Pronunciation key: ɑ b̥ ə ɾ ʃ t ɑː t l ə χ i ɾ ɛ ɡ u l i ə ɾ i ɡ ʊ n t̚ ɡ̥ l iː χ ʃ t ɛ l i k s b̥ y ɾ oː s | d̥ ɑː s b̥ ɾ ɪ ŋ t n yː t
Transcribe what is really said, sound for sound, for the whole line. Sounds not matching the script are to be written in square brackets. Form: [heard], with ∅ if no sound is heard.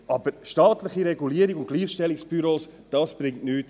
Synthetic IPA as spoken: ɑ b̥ ə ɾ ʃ t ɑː t l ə χ i ɾ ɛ ɡ u l i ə ɾ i ɡ ʊ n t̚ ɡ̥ l iː χ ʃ t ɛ l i k s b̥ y ɾ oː s | d̥ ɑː s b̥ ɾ ɪ ŋ t n yː t